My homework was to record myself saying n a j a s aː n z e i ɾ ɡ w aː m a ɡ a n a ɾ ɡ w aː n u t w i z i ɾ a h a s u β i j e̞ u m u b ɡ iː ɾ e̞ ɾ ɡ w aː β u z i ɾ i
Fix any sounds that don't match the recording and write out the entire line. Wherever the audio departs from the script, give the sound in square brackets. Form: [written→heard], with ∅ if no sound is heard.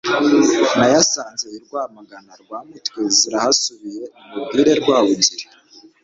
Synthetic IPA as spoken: n a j a s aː n z e i ɾ ɡ w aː m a ɡ a n a ɾ ɡ w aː [n→m] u t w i z i ɾ a h a s u β i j e̞ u m u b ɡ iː ɾ e̞ ɾ ɡ w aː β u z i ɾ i